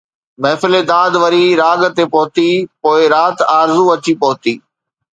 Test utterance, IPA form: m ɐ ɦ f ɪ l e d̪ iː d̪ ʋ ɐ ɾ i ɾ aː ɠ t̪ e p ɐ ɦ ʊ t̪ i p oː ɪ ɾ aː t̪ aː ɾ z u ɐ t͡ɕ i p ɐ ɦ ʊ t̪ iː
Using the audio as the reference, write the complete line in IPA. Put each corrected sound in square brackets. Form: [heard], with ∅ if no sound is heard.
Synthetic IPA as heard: m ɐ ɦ f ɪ l e d̪ [aː] d̪ ʋ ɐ ɾ i ɾ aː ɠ t̪ e p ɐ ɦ ʊ t̪ i p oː ɪ ɾ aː t̪ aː ɾ z u ɐ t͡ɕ i p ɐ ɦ ʊ t̪ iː